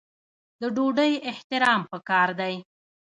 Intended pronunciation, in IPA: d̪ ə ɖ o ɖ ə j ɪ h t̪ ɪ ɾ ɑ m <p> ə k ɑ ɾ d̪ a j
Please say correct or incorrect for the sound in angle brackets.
correct